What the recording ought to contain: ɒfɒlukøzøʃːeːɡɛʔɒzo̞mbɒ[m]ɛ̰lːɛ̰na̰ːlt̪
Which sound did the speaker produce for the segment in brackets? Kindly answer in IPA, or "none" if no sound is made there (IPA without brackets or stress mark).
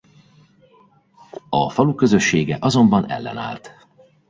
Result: n